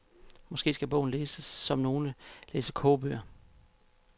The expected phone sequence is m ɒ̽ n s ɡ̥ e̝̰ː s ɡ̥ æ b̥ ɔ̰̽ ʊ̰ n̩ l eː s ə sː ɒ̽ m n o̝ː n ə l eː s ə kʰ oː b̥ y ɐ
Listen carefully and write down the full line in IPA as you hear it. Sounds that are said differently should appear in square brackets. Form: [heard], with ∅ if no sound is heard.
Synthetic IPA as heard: m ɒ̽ [∅] s ɡ̥ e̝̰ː s ɡ̥ æ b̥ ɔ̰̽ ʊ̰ n̩ l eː s ə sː ɒ̽ m n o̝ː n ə l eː s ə kʰ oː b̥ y ɐ